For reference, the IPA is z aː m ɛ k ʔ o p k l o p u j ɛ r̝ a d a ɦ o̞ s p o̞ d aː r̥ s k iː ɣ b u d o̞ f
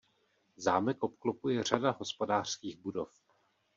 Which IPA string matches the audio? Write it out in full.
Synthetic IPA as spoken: z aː m ɛ k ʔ o p k l o p u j ɛ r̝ a d a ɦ o̞ s p o̞ d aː r̥ s k iː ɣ b u d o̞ f